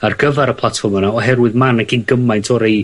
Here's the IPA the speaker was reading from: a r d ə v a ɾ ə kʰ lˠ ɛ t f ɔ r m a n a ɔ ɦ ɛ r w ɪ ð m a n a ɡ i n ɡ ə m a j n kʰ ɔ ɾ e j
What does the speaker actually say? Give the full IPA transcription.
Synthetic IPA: a r ɡ ə v a ɾ ə pʰ lˠ a t f ɔ r m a n a ɔ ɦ ɛ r w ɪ ð m a n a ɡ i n ɡ ə m a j n tʰ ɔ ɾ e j

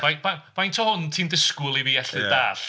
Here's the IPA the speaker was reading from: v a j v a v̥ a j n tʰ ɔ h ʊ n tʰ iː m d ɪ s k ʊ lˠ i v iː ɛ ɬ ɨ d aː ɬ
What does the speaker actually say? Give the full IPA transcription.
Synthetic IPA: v a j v a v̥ a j n tʰ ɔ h ʊ n tʰ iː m d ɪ s k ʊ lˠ i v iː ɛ ɬ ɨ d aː ɬ

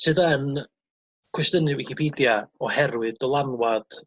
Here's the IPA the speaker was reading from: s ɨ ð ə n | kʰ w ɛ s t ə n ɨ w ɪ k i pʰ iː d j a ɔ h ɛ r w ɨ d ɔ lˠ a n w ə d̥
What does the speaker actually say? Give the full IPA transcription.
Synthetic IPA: s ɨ ð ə n | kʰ w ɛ s t ə n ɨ w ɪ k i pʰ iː d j a ɔ h ɛ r w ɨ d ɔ lˠ a n w a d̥

